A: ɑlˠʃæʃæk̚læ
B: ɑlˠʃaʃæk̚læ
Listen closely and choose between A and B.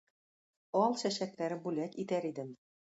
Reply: A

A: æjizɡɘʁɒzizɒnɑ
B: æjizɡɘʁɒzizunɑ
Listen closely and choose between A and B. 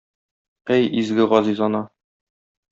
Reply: A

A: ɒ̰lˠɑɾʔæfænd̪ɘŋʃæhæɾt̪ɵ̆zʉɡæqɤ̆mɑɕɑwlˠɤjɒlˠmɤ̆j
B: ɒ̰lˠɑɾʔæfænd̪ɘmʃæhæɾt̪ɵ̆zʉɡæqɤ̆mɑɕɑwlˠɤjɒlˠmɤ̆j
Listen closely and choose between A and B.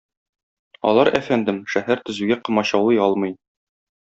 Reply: B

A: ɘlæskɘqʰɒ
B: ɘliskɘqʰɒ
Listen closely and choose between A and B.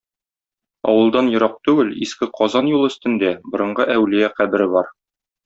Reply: B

